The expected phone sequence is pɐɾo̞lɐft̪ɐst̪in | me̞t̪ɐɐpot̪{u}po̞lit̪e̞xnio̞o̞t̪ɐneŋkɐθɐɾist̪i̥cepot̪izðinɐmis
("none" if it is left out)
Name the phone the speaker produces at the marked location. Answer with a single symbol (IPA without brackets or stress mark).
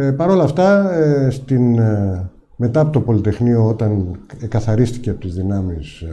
o